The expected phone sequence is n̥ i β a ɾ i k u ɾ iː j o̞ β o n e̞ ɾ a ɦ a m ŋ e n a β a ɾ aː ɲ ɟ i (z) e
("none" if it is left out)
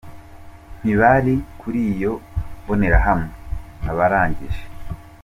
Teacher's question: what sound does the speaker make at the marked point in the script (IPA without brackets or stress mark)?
ʒ